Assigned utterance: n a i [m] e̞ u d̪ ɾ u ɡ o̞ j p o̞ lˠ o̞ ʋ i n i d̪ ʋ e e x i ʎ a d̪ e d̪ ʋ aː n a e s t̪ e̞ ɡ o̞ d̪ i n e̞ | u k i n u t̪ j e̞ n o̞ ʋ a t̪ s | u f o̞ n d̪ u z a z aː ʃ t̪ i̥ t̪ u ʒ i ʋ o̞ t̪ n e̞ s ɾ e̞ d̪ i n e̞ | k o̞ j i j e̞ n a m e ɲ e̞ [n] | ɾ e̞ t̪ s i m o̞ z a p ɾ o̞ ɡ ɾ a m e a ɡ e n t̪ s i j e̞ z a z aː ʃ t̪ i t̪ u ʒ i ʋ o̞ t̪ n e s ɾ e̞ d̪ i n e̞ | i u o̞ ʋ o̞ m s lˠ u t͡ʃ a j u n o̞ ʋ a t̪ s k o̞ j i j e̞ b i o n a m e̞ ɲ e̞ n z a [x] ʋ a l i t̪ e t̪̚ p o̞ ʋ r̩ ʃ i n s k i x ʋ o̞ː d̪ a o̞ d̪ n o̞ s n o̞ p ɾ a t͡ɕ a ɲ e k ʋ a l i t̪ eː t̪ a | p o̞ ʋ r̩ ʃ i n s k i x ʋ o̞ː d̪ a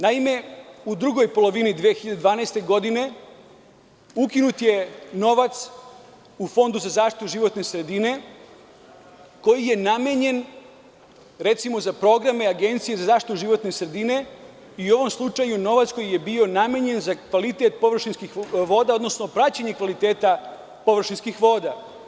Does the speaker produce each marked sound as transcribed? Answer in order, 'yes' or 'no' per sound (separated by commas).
yes, yes, no